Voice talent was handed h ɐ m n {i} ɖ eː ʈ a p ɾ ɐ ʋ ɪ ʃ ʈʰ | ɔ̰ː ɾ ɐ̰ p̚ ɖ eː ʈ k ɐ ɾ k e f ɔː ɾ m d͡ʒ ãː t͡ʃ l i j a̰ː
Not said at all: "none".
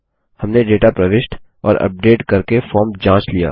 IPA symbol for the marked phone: e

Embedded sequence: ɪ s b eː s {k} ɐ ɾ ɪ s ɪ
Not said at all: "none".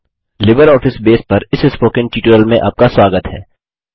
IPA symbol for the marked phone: p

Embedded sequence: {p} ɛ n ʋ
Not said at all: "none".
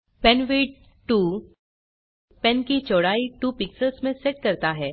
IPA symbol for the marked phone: p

